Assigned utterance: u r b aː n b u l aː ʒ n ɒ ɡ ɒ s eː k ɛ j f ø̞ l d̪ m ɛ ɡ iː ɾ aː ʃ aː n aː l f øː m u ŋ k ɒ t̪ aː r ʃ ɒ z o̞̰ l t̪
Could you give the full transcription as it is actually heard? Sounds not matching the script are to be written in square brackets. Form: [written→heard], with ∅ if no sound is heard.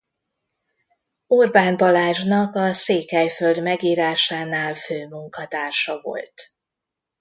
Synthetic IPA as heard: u r b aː n b [u→ɒ] l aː ʒ n ɒ [ɡ→k] ɒ s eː k ɛ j f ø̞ l d̪ m ɛ ɡ iː ɾ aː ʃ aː n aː l f øː m u ŋ k ɒ t̪ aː r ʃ ɒ [z→v] o̞̰ l t̪

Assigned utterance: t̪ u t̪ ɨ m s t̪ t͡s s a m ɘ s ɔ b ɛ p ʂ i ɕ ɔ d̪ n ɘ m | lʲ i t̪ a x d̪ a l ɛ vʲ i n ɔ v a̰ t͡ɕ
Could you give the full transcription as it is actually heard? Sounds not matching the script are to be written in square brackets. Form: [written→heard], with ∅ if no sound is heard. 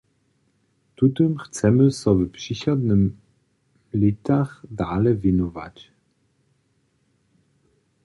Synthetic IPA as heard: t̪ u t̪ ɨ m [s→x] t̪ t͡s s [a→ɛ] m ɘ s ɔ [b→v] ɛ p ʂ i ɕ ɔ d̪ n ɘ m | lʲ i t̪ a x d̪ a l ɛ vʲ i n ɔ v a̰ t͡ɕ

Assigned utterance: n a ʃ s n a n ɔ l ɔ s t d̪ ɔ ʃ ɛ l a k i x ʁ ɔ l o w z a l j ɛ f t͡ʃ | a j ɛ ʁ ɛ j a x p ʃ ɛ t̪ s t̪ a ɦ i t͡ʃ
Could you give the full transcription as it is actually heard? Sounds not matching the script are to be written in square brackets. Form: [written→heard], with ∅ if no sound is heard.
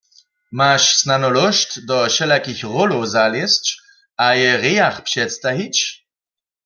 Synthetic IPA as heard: [n→m] a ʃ s n a n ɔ l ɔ [s→ʃ] t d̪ ɔ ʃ ɛ l a k i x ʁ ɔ l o w z a l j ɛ [f→s] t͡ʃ | a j ɛ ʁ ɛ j a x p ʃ ɛ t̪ s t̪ a ɦ i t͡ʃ

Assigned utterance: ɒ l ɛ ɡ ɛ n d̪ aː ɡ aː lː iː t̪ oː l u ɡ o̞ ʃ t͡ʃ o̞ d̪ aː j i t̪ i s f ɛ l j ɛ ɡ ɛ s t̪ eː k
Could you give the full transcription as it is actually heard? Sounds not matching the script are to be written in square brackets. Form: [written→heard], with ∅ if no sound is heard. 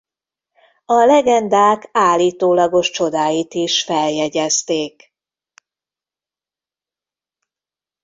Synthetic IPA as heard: ɒ l ɛ ɡ ɛ n d̪ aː [ɡ→k] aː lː iː t̪ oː l [u→ɒ] ɡ o̞ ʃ t͡ʃ o̞ d̪ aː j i t̪ i [s→ʃ] f ɛ l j ɛ [ɡ→ɟ] ɛ s t̪ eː k

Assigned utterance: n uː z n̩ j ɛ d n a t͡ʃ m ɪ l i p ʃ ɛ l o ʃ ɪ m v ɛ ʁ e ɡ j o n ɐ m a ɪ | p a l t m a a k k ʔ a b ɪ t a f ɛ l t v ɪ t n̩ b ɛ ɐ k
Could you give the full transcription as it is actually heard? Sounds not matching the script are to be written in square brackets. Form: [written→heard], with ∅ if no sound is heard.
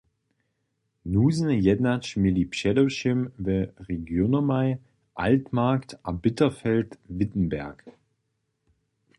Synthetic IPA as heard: n uː z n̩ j ɛ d n a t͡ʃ m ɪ l i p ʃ ɛ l o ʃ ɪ m v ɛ ʁ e ɡ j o n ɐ m a ɪ | [p→ʔ] a l t m a [a→ɐ] k [k→t] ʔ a b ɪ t [a→ɐ] f ɛ l t v ɪ t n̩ b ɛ ɐ k

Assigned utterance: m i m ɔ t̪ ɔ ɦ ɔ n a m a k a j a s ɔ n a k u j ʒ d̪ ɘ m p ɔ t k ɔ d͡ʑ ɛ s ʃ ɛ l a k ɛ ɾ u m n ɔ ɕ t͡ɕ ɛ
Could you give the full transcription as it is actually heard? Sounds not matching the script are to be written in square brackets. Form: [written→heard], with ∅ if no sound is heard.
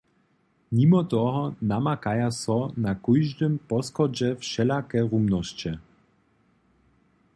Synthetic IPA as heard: m i m ɔ t̪ ɔ ɦ ɔ n a m a k a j a s ɔ n a k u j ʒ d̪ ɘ m p ɔ [t→s] k ɔ d͡ʑ ɛ [s→f] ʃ ɛ l a k ɛ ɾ u m n ɔ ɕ t͡ɕ ɛ

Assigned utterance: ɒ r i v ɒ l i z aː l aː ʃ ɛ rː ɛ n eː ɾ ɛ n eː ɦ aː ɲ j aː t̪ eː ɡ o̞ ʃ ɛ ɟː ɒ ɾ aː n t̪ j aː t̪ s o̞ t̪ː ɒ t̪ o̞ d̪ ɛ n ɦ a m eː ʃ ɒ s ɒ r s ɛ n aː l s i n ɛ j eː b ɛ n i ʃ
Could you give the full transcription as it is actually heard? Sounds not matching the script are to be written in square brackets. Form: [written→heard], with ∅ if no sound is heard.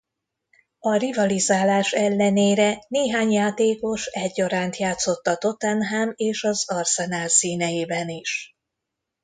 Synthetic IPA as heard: ɒ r i v ɒ l i z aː l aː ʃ ɛ [rː→lː] ɛ n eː ɾ ɛ n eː ɦ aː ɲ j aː t̪ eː [ɡ→k] o̞ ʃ ɛ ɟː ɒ ɾ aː n t̪ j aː t̪ s o̞ t̪ː ɒ t̪ o̞ [d̪→t̪] ɛ n ɦ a m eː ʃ ɒ [s→z] ɒ r s ɛ n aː l s [i→iː] n ɛ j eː b ɛ n i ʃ

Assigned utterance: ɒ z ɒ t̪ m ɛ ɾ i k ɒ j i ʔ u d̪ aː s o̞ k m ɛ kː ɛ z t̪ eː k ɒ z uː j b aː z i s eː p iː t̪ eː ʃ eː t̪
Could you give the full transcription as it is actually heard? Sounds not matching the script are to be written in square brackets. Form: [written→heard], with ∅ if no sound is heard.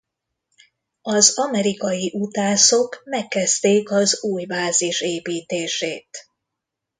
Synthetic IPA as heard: ɒ z ɒ [t̪→∅] m ɛ ɾ i k ɒ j i ʔ u [d̪→t̪] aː s o̞ k m ɛ kː ɛ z t̪ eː k ɒ z uː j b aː z i [s→ʃ] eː p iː t̪ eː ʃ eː t̪

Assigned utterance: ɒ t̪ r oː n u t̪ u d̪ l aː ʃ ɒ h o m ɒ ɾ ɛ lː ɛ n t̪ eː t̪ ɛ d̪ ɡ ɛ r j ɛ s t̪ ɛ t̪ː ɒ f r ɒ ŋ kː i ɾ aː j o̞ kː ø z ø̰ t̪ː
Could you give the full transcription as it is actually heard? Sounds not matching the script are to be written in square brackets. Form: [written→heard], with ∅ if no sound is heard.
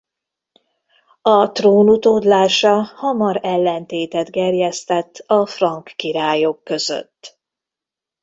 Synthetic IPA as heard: ɒ t̪ r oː n u t̪ [u→o] d̪ l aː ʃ ɒ h [o→ɒ] m ɒ ɾ ɛ lː ɛ n t̪ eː t̪ ɛ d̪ ɡ ɛ r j ɛ s t̪ ɛ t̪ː ɒ f r ɒ ŋ kː i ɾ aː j o̞ kː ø z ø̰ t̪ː

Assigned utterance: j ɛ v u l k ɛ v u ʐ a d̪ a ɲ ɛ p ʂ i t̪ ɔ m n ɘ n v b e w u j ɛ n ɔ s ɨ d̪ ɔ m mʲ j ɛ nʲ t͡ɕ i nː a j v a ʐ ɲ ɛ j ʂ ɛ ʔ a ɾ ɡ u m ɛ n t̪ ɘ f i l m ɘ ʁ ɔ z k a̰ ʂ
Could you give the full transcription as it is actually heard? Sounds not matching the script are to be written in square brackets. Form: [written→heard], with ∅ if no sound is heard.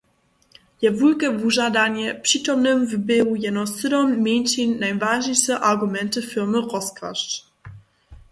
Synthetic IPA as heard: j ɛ v u l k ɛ v u ʐ a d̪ a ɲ ɛ p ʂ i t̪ ɔ m n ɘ [n→m] v b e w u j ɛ n ɔ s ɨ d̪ ɔ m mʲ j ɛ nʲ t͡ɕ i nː a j v a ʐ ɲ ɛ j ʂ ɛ ʔ a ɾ ɡ u m ɛ n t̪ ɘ f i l m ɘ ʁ ɔ [z→s] k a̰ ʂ

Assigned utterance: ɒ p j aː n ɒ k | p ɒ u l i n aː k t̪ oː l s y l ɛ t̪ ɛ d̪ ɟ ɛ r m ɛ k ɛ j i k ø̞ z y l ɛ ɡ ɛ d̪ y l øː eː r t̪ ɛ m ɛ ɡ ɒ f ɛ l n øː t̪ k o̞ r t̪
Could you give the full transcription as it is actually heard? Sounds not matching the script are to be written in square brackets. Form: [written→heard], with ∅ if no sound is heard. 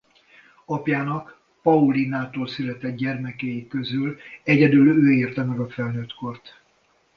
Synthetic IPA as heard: ɒ p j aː n ɒ k | p ɒ u l i n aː [k→∅] t̪ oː l s y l ɛ t̪ ɛ d̪ ɟ ɛ r m ɛ k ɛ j i k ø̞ z y l ɛ [ɡ→ɟ] ɛ d̪ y l øː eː r t̪ ɛ m ɛ ɡ ɒ f ɛ l n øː t̪ k o̞ r t̪

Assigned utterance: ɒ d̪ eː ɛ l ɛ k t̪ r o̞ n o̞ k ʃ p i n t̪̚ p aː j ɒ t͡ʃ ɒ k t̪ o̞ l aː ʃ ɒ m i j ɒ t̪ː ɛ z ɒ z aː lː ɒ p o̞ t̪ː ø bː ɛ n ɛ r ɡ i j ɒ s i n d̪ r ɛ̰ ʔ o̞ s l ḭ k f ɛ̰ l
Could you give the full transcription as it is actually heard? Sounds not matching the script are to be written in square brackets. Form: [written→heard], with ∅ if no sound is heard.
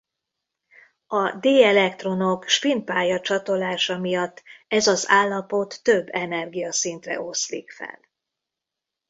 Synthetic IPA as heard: ɒ d̪ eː ɛ l ɛ k t̪ r o̞ n o̞ k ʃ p i n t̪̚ p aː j ɒ t͡ʃ ɒ [k→∅] t̪ o̞ l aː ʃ ɒ m i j ɒ t̪ː ɛ z ɒ z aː lː ɒ p o̞ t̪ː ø bː ɛ n ɛ r ɡ i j ɒ s i n [d̪→t̪] r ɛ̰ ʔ o̞ s l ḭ k f ɛ̰ l

